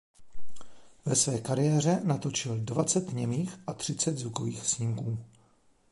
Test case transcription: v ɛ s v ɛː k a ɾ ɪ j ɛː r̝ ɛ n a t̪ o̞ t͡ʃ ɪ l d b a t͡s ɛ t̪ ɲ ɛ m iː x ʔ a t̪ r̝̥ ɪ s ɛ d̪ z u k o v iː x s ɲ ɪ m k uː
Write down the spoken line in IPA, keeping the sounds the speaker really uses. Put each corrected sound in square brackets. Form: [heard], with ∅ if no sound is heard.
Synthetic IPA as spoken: v ɛ s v ɛː k a ɾ ɪ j ɛː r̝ ɛ n a t̪ o̞ t͡ʃ ɪ l d [v] a t͡s ɛ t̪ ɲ ɛ m iː x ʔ a t̪ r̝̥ ɪ [t͡s] ɛ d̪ z u k o v iː x s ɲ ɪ m k uː